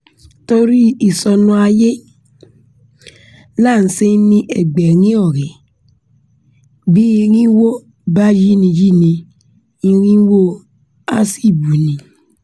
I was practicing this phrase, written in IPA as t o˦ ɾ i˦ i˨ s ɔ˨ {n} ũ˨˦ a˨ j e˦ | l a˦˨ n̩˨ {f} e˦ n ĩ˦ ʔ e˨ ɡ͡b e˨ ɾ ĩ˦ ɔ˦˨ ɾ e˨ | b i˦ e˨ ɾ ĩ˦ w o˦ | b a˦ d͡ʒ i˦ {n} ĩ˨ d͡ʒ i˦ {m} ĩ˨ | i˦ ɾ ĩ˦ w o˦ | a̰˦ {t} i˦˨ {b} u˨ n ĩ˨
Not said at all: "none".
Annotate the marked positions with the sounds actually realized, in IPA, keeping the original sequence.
n, s, n, n, s, b

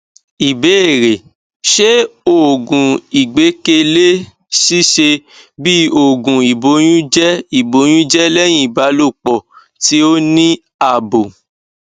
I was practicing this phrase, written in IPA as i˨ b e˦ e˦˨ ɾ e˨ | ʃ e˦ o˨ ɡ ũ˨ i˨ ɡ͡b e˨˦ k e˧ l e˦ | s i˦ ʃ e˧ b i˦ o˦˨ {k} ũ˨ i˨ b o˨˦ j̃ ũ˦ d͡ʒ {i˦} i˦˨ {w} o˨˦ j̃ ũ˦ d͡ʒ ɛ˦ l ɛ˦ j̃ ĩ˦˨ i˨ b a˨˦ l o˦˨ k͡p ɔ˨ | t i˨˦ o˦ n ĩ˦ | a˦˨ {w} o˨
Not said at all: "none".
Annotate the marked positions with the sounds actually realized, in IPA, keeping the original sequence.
ɡ, ɛ˦, b, b

